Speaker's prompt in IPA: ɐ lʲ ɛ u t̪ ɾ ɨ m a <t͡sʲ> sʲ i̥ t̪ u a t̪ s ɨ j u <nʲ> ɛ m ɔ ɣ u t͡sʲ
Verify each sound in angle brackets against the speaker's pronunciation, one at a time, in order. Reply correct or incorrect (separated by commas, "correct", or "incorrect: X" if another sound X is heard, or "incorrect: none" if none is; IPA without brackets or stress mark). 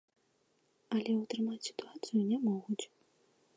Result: correct, correct